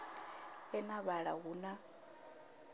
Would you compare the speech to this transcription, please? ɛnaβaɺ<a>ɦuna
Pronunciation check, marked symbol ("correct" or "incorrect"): correct